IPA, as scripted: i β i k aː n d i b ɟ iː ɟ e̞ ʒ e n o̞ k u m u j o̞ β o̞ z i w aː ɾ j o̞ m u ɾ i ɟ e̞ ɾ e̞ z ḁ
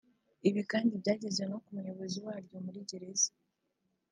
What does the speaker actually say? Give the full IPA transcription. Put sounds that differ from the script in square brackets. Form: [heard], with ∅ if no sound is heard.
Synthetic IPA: i β i k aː n d i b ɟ [aː] ɟ e̞ [z] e n o̞ k u m u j o̞ β o̞ z i w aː ɾ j o̞ m u ɾ i ɟ e̞ ɾ e̞ z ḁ